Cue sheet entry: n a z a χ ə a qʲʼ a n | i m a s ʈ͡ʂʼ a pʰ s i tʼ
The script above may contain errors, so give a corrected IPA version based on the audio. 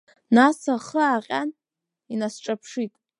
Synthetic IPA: n a s a χ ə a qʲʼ a n | i n a s ʈ͡ʂʼ a pʰ ʂ i tʼ